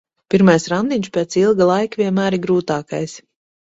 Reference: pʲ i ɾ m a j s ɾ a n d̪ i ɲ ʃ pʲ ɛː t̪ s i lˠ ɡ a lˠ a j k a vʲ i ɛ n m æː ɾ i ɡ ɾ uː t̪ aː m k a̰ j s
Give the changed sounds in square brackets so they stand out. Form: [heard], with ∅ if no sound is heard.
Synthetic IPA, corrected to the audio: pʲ i ɾ m a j s ɾ a n d̪ i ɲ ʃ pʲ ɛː t̪ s i lˠ ɡ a lˠ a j k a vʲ i ɛ n m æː ɾ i ɡ ɾ uː t̪ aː [∅] k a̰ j s